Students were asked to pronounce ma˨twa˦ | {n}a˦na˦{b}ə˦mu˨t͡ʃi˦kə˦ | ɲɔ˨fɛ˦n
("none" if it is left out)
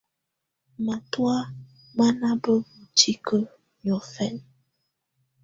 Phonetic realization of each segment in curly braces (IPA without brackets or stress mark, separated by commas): m, b